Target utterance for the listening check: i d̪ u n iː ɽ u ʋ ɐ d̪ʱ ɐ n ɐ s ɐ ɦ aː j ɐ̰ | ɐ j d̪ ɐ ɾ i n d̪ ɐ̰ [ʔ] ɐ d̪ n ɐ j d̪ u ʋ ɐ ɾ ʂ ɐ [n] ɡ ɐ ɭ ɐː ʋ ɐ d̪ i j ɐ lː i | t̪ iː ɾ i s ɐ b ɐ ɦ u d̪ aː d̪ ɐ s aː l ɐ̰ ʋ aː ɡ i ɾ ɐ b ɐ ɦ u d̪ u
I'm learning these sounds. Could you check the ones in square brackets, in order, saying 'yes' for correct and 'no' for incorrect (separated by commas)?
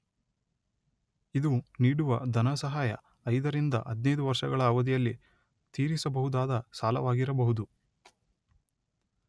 yes, no